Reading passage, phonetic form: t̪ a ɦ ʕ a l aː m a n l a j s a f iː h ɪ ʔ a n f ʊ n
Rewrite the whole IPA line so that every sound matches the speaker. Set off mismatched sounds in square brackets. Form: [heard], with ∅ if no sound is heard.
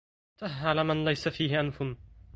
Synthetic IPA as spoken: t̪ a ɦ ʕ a l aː m a n l a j s a f iː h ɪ ʔ a n f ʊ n